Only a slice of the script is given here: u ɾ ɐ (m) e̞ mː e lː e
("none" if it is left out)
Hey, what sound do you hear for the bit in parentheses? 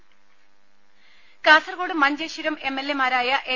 m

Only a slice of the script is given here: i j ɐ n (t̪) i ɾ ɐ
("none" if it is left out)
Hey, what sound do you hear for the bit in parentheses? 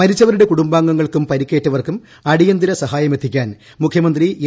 d̪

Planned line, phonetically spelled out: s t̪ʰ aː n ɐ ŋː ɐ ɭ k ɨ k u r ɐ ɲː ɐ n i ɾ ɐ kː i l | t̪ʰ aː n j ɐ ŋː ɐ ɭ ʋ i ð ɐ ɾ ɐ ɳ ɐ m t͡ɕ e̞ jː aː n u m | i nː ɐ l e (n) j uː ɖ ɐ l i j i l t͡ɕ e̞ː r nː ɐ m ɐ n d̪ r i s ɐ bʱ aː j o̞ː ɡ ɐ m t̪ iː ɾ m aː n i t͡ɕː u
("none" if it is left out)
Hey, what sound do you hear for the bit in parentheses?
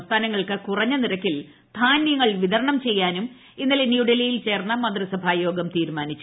n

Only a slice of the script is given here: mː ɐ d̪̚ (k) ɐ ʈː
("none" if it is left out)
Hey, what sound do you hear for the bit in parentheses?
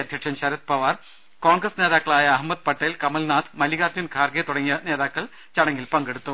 p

